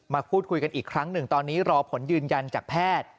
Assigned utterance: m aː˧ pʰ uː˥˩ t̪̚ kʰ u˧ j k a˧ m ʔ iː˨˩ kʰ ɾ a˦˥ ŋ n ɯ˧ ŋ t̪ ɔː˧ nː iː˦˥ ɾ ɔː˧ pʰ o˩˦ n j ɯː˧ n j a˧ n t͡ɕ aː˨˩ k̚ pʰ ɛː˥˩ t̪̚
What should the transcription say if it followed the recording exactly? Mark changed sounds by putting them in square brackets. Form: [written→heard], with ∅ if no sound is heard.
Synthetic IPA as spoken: m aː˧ pʰ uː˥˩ t̪̚ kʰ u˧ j k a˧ [m→n] ʔ iː˨˩ kʰ ɾ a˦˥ ŋ n [ɯ˧→ɯ˨˩] ŋ t̪ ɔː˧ nː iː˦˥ ɾ ɔː˧ pʰ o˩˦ n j ɯː˧ n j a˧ n t͡ɕ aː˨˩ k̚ pʰ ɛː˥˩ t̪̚